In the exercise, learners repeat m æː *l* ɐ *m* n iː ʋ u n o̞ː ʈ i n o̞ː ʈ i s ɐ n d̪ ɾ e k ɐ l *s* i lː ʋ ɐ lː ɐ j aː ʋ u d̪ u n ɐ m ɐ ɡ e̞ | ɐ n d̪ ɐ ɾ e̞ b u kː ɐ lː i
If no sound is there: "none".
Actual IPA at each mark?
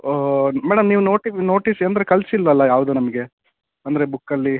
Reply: ɽ, m, s

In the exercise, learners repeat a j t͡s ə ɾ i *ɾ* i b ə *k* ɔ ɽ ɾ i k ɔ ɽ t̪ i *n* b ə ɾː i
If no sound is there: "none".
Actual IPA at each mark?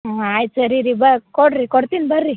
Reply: ɾ, k, n

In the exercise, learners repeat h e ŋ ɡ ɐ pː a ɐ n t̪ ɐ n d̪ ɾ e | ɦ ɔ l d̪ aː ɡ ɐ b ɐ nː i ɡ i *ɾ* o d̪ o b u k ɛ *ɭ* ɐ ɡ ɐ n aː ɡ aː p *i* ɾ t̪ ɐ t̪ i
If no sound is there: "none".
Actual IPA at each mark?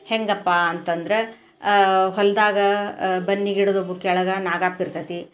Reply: ɽ, ɭ, i

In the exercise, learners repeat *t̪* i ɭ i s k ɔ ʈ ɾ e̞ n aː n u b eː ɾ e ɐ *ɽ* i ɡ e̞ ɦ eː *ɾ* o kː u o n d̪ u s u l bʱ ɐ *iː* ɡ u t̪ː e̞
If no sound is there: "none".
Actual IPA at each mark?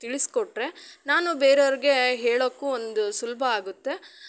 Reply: t̪, ɾ, ɭ, aː

